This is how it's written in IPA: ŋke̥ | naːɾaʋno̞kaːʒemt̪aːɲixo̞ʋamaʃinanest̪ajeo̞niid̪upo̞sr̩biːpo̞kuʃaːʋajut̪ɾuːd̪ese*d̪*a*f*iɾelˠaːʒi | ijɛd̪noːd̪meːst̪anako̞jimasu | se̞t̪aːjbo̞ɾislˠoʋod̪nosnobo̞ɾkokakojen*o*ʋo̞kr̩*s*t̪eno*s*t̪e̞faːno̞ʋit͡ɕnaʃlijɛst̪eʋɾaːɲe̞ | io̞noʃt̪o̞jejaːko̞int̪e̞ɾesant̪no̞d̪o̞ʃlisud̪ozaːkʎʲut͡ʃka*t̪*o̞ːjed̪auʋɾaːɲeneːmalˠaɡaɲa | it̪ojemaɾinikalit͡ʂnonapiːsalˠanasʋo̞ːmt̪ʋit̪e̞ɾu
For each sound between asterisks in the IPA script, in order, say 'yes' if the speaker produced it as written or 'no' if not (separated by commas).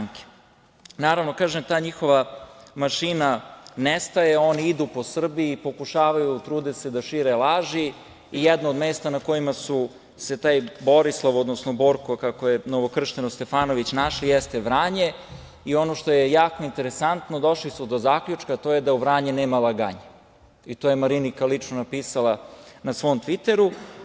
yes, no, yes, no, yes, yes